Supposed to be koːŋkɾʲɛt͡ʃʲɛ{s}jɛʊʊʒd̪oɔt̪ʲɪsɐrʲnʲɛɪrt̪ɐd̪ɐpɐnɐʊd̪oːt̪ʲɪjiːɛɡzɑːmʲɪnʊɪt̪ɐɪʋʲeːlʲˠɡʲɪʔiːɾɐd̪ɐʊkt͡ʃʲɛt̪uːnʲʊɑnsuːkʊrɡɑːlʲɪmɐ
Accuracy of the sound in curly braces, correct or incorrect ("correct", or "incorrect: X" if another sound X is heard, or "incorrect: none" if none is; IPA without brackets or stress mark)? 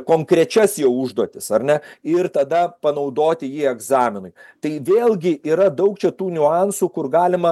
correct